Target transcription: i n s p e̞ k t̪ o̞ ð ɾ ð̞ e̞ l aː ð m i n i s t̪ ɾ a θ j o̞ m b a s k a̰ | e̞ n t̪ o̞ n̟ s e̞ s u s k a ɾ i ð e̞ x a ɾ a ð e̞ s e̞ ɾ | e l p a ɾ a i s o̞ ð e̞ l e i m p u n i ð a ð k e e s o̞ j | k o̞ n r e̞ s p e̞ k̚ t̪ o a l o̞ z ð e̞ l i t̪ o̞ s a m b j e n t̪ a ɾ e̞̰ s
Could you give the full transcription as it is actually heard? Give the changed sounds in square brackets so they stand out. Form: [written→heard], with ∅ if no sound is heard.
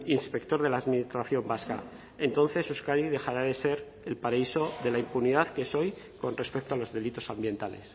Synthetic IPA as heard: i n s p e̞ k t̪ o̞ [ð→∅] ɾ ð̞ e̞ l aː ð m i n i s t̪ ɾ a θ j o̞ m b a s k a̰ | e̞ n t̪ o̞ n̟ [s→θ] e̞ s u s k a ɾ i ð e̞ x a ɾ a ð e̞ s e̞ ɾ | e l p a ɾ a i s o̞ ð e̞ l [e→a] i m p u n i ð a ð k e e s o̞ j | k o̞ n r e̞ s p e̞ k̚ t̪ o a l o̞ z ð e̞ l i t̪ o̞ s a m b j e n t̪ a [ɾ→l] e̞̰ s